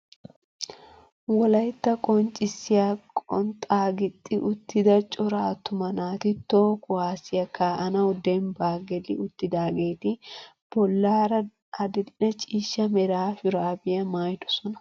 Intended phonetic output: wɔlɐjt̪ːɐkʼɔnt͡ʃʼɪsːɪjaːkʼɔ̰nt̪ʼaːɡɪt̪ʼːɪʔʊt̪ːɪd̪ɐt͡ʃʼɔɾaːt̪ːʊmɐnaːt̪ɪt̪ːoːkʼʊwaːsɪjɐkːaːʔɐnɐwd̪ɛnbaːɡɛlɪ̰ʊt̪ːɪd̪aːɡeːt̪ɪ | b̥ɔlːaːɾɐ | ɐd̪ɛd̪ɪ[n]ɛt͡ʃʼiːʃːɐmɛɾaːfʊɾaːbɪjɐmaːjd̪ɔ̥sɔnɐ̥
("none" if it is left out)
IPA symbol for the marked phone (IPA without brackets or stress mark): n